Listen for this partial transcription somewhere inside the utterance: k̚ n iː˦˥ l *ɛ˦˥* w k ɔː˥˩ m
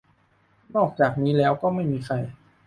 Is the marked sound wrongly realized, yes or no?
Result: yes